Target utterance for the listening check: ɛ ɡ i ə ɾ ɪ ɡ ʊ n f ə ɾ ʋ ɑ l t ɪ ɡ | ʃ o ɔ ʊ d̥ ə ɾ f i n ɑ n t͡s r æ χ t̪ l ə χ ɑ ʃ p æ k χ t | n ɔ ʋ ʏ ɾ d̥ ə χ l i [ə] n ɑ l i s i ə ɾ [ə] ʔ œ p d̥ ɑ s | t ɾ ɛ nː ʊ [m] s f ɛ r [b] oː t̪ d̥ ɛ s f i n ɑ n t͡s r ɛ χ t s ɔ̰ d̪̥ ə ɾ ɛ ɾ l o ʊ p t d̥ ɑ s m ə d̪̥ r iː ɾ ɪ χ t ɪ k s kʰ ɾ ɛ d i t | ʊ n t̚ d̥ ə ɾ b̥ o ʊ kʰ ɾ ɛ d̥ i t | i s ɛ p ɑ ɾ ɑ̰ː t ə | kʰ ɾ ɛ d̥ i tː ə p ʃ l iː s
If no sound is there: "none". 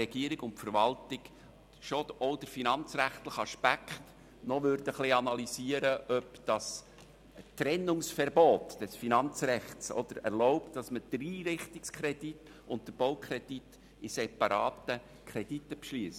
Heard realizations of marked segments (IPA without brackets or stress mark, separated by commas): ɑ, ə, ŋ, b